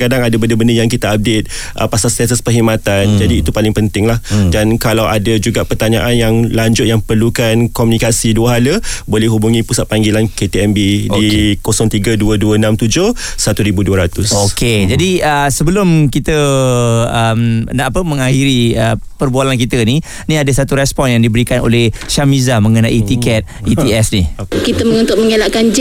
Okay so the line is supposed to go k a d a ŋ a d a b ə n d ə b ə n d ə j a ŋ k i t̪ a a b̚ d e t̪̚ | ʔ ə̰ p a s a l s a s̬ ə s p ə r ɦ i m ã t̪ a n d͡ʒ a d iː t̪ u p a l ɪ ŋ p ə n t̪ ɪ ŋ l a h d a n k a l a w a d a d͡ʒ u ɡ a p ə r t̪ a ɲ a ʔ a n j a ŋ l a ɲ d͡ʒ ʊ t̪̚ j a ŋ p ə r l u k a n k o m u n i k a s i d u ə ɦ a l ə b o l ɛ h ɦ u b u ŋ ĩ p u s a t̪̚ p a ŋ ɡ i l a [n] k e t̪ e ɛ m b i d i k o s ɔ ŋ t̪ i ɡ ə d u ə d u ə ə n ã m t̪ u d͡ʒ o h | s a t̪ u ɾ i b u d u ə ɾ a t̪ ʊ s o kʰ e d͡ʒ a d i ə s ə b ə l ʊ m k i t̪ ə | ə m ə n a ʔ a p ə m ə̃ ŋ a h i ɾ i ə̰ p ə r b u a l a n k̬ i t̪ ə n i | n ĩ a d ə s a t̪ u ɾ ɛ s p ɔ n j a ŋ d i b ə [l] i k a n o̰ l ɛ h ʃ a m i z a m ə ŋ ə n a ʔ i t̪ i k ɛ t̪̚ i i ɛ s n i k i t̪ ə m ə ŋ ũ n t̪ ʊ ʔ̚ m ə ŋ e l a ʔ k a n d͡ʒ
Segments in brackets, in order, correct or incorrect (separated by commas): correct, incorrect